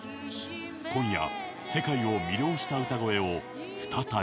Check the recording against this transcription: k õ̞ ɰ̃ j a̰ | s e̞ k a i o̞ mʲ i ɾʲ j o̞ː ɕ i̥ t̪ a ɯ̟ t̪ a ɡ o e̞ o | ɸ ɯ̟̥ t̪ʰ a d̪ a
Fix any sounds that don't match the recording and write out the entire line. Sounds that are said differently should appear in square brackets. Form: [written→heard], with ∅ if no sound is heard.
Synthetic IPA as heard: k õ̞ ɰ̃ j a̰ | s e̞ k a i o̞ mʲ i ɾʲ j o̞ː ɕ i̥ t̪ a ɯ̟ t̪ a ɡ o e̞ o | ɸ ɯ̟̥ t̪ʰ a [d̪→t̪] a